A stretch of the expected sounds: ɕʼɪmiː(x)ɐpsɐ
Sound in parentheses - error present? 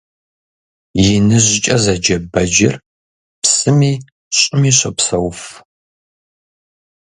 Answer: yes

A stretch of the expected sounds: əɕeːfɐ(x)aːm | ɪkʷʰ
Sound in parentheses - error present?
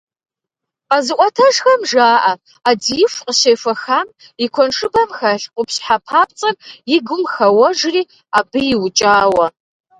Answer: no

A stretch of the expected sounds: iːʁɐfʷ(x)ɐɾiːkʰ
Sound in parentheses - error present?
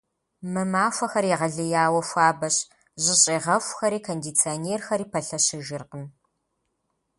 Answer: no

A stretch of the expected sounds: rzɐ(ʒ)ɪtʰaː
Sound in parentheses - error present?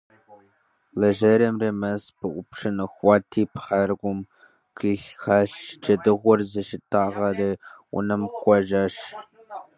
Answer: yes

